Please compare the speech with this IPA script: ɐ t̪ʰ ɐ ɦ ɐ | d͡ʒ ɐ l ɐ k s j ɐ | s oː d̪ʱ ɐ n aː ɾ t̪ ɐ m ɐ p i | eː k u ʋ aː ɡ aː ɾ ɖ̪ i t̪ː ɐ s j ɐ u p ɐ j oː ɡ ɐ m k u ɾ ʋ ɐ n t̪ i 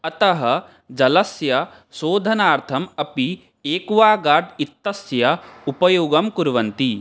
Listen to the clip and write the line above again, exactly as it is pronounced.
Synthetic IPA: ɐ t̪ ɐ ɦ ɐ | d͡ʒ ɐ l ɐ s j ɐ | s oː d̪ʱ ɐ n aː ɾ t̪ʰ ɐ m ɐ p i | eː k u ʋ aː ɡ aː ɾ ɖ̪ i t̪ː ɐ s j ɐ u p ɐ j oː ɡ ɐ m k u ɾ ʋ ɐ n t̪ i

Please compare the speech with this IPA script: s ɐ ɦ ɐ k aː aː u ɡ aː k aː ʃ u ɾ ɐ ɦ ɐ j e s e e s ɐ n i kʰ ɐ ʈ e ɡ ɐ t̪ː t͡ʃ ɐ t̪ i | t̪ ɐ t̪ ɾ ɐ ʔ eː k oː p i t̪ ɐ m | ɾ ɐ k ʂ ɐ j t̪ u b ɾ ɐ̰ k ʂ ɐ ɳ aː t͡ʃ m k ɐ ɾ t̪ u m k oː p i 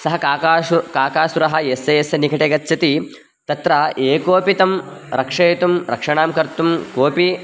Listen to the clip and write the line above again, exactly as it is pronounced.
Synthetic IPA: s ɐ ɦ ɐ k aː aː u k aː k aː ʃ u ɾ ɐ ɦ ɐ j e s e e s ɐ n i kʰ ɐ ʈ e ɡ ɐ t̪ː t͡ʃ ɐ t̪ i | t̪ ɐ t̪ ɾ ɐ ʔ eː k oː p i t̪ ɐ m | ɾ ɐ k ʂ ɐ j t̪ u m ɾ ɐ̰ k ʂ ɐ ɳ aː m k ɐ ɾ t̪ u m k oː p i

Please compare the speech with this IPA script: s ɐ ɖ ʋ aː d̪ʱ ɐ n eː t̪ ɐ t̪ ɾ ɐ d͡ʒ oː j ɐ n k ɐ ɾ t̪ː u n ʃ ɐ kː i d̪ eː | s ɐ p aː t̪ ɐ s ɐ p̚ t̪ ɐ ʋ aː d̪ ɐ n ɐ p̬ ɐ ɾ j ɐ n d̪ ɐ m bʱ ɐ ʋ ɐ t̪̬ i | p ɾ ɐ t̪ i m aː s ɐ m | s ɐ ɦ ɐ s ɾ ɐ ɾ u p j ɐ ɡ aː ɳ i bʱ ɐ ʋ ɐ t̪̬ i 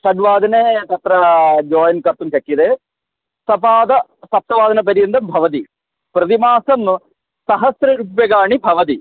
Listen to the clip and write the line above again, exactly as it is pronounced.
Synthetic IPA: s ɐ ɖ ʋ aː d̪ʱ ɐ n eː t̪ ɐ t̪ ɾ ɐ d͡ʒ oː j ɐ n k ɐ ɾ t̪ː u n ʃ ɐ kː i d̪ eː | s ɐ p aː d̪ ɐ s ɐ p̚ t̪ ɐ ʋ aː d̪ ɐ n ɐ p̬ ɐ ɾ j ɐ n d̪ ɐ m bʱ ɐ ʋ ɐ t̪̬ i | p ɾ ɐ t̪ i m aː s ɐ m | s ɐ ɦ ɐ s ɾ ɐ ɾ u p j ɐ ɡ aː ɳ i bʱ ɐ ʋ ɐ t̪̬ i

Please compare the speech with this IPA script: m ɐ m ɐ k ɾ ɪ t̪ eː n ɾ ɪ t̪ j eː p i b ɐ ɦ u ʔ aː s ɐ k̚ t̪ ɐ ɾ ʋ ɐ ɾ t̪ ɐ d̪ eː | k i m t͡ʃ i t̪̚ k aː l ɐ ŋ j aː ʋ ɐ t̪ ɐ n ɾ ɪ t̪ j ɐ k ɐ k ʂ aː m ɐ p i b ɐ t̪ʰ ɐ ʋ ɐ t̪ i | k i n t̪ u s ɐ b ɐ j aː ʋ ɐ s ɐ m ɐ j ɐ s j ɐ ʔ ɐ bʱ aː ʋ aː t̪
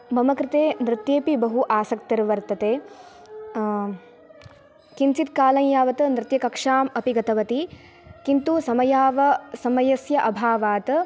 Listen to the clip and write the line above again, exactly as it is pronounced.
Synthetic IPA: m ɐ m ɐ k ɾ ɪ t̪ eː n ɾ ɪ t̪ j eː p i b ɐ ɦ u ʔ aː s ɐ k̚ t̪ ɐ ɾ ʋ ɐ ɾ t̪ ɐ t̪ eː | k i n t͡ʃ i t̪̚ k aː l ɐ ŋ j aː ʋ ɐ t̪ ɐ n ɾ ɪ t̪ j ɐ k ɐ k ʂ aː m ɐ p i ɡ ɐ t̪ ɐ ʋ ɐ t̪ i | k i n t̪ u s ɐ m ɐ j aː ʋ ɐ s ɐ m ɐ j ɐ s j ɐ ʔ ɐ bʱ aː ʋ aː t̪

